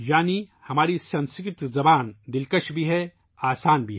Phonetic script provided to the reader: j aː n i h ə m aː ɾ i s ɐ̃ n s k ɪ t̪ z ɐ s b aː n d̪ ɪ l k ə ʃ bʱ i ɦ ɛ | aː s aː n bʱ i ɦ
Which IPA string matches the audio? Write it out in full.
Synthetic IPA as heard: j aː n i h ɐ m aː ɾ i s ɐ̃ n s k ɪ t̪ z ɐ b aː n d̪ ɪ l k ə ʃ bʱ i ɦ ɛ | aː s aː n bʱ i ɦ

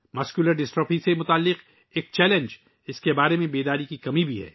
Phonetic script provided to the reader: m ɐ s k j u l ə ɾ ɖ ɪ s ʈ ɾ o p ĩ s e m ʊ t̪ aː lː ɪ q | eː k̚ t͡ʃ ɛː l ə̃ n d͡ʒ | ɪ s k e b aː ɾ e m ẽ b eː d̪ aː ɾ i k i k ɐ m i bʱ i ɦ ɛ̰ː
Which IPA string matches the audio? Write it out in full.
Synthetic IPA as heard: m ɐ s k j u l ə ɾ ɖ ɪ s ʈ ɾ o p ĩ s e m ʊ t̪ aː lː ɪ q | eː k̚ t͡ʃ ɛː l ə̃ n d͡ʒ | ɪ s k e b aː ɾ e m ẽ b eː d̪ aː ɾ i k i k ɐ m i bʱ i ɦ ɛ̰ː

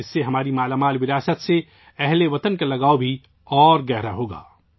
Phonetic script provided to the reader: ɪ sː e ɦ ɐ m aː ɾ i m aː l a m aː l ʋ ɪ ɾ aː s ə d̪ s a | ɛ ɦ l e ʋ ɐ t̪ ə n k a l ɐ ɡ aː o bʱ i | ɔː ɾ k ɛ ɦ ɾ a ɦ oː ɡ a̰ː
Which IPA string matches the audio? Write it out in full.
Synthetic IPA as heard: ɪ sː e ɦ ɐ m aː ɾ i m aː l a m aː l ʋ ɪ ɾ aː s ə t̪ s e | ɛ ɦ l e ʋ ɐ t̪ ə n k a l ɐ ɡ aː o bʱ i | ɔː ɾ ɡ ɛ ɦ ɾ a ɦ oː ɡ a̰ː

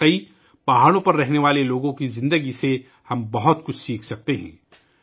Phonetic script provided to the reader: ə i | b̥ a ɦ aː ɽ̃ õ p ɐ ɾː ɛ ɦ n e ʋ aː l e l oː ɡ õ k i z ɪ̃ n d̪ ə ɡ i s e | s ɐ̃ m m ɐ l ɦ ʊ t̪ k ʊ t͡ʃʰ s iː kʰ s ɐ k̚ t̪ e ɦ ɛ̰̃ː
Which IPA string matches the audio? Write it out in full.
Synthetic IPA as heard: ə i | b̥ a ɦ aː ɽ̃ õ p ɐ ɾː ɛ ɦ n e ʋ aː l e l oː ɡ õ k i z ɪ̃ n d̪ ə ɡ i s e | h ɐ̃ m b ɐ ɦ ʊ t̪ k ʊ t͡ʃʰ s iː kʰ s ɐ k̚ t̪ e ɦ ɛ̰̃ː

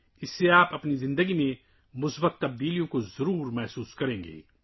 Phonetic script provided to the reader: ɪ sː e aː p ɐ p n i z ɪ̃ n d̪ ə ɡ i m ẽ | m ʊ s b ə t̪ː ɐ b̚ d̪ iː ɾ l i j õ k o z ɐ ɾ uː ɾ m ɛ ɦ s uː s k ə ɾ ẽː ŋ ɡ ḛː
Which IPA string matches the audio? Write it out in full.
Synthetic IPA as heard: ɪ sː e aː p ɐ p n i z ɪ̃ n d̪ ə ɡ i m ẽ | m ʊ s b ə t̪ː ɐ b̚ d̪ iː l i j õ k o z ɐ ɾ uː ɾ m ɛ ɦ s uː s k ɐ ɾ ẽː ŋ ɡ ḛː

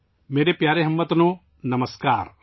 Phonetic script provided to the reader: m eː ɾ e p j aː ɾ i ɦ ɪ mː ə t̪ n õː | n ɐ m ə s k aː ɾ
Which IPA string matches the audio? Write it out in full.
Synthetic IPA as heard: m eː ɾ e p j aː ɾ e ɦ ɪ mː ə t̪ n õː | n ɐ m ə s k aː ɾ

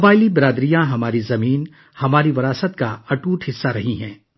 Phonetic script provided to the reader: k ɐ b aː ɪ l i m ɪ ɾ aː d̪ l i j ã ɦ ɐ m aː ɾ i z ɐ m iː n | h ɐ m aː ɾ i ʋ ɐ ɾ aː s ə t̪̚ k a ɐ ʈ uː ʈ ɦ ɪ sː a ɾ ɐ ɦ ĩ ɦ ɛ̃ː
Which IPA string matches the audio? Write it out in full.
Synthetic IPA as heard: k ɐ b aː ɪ l i b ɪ ɾ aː d̪ ɾ i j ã ɦ ɐ m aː ɾ i z ɐ m iː n | h ɐ m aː ɾ i ʋ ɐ ɾ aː s ə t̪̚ k a ɐ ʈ uː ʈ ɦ ɪ sː a ɾ ɐ ɦ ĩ ɦ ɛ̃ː

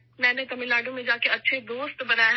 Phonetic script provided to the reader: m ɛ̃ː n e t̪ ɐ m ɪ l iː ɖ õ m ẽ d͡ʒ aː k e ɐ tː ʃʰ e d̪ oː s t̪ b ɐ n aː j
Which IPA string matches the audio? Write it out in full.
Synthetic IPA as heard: m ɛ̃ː n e t̪ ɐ m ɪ l aː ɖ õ m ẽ d͡ʒ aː k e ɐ tː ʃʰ e d̪ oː s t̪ b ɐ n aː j

